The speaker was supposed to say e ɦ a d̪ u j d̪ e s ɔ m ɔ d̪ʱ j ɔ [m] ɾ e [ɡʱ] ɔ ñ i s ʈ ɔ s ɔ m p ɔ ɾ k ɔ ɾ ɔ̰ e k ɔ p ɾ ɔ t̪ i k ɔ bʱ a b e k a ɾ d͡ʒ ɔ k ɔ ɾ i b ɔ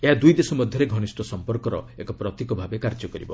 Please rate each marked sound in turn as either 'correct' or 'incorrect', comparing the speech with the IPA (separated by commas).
incorrect, correct